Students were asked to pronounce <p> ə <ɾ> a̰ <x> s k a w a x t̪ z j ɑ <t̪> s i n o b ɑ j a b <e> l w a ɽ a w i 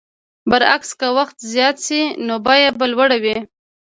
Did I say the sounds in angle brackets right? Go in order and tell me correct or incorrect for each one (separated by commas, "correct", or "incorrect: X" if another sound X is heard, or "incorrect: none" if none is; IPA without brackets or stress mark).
incorrect: b, correct, incorrect: k, correct, incorrect: a